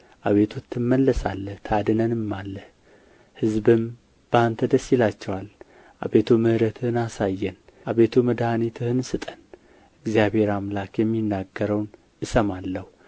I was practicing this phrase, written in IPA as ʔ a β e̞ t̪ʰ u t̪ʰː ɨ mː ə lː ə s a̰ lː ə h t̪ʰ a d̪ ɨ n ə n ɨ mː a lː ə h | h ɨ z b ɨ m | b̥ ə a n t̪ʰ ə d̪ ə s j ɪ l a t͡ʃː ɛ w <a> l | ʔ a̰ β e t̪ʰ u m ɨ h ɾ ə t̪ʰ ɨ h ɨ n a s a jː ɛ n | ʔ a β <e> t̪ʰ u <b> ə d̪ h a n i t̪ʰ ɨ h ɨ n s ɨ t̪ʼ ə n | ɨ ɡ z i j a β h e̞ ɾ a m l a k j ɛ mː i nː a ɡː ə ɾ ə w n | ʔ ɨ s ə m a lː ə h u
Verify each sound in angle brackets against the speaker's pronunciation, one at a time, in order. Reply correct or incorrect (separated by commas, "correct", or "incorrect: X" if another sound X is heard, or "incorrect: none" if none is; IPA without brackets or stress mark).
correct, correct, incorrect: m